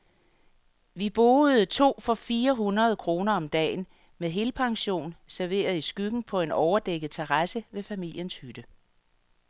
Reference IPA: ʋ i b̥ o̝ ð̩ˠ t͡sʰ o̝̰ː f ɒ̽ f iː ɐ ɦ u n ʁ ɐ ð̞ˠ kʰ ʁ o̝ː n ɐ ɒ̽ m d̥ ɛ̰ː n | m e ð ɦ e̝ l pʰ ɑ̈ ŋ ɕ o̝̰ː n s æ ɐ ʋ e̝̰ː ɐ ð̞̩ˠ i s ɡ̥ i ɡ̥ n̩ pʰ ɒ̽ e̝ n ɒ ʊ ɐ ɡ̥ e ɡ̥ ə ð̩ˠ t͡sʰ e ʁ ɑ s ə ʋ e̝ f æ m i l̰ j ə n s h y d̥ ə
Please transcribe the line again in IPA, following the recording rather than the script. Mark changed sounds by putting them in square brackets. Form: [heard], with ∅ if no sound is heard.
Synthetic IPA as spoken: ʋ i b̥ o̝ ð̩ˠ t͡sʰ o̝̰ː f ɒ̽ f iː ɐ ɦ u n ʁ ɐ ð̞ˠ kʰ ʁ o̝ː n ɐ ɒ̽ m d̥ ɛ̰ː n | m e ð ɦ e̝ l pʰ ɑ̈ ŋ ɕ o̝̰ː n s æ ɐ ʋ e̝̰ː ɐ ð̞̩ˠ i s ɡ̥ [y] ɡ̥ n̩ pʰ ɒ̽ e̝ n ɒ ʊ ɐ [d̥] e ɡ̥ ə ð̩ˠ t͡sʰ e ʁ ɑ s ə ʋ e̝ f æ m i l̰ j ə n s h y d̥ ə